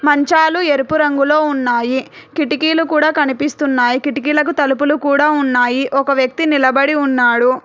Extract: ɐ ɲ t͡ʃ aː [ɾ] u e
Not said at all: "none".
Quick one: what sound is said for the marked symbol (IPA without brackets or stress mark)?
l